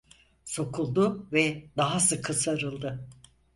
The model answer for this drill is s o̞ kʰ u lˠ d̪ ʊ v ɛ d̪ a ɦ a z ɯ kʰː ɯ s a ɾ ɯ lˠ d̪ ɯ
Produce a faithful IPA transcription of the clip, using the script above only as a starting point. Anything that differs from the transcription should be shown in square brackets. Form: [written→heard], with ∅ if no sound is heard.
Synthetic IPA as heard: s o̞ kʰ u lˠ d̪ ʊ v ɛ d̪ a ɦ a [z→s] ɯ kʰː ɯ s a ɾ ɯ lˠ d̪ ɯ

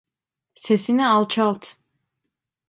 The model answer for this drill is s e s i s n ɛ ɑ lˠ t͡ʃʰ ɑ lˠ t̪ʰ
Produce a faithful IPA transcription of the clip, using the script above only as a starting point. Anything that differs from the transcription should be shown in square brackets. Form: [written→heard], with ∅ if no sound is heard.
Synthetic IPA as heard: s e s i [s→∅] n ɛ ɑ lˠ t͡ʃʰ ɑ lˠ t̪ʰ

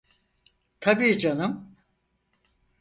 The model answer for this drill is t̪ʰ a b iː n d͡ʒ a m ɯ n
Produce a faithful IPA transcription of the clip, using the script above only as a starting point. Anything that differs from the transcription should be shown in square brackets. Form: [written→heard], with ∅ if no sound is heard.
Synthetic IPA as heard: t̪ʰ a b iː [n→∅] d͡ʒ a [m→n] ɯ [n→m]

